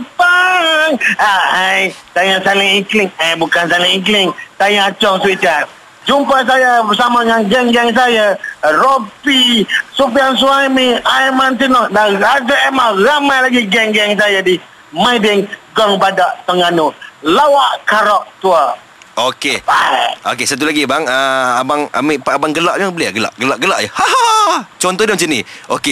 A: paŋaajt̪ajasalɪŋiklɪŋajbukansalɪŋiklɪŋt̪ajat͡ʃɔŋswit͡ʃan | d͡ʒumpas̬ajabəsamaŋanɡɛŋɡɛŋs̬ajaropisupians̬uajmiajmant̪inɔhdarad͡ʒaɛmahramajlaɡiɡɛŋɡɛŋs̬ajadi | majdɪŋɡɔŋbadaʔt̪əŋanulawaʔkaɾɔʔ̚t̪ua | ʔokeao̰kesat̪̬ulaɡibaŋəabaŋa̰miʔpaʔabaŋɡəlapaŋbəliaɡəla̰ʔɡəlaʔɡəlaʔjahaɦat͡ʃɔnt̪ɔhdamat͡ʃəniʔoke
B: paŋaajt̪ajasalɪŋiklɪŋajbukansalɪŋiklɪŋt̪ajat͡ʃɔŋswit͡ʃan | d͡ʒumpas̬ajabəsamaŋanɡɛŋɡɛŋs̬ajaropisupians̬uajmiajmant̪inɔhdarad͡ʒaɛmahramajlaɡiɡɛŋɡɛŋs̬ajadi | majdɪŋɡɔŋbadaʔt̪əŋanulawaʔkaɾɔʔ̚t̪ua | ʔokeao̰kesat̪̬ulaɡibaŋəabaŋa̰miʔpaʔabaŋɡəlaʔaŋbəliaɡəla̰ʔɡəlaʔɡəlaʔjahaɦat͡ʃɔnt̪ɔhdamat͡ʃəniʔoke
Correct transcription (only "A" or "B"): B